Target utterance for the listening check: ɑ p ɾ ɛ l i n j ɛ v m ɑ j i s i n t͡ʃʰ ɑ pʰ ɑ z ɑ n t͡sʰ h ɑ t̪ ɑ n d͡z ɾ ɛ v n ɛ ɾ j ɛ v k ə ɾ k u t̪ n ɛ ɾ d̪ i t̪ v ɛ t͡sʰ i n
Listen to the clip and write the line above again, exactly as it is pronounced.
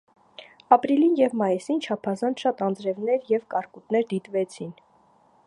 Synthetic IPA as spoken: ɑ p ɾ i l i n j ɛ v m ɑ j i s i n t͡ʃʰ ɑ pʰ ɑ z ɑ n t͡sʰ ʃ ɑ t̪ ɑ n d͡z ɾ ɛ v n ɛ ɾ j ɛ v k ɑ ɾ k u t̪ n ɛ ɾ d̪ i t̪ v ɛ t͡sʰ i n